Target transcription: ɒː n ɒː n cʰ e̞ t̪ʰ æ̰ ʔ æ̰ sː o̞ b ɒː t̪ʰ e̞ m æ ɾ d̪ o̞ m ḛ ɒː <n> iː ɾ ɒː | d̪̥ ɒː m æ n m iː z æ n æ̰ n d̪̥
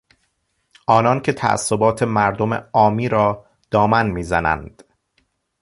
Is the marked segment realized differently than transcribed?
yes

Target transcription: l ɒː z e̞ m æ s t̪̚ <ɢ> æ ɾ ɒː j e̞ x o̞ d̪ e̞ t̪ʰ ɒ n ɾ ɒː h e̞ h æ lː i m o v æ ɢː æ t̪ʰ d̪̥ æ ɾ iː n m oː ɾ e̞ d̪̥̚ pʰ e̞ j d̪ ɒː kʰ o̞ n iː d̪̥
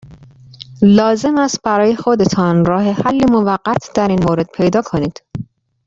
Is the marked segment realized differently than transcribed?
yes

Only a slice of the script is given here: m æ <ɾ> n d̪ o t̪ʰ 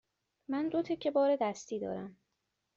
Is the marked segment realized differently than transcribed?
yes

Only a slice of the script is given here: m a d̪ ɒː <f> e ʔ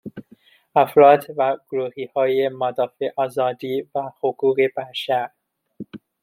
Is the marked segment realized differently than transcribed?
no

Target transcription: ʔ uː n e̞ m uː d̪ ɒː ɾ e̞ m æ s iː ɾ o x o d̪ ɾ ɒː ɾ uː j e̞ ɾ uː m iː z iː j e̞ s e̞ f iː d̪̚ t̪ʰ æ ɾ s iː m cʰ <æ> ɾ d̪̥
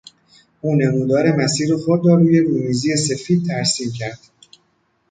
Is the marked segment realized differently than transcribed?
no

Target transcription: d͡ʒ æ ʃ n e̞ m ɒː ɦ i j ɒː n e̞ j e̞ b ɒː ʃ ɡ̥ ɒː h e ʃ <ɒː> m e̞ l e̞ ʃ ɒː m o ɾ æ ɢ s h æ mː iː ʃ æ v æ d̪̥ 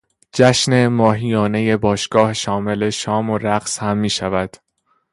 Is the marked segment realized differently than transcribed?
no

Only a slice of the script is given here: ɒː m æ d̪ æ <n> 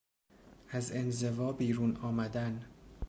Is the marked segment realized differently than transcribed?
no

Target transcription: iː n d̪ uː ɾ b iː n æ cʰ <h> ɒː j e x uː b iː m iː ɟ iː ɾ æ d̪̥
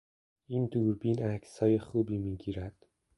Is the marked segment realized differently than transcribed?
yes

